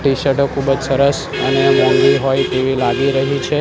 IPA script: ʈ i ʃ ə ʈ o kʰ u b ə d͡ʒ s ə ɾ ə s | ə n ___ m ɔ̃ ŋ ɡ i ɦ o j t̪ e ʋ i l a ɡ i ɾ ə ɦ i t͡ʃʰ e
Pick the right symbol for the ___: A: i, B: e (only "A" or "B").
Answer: B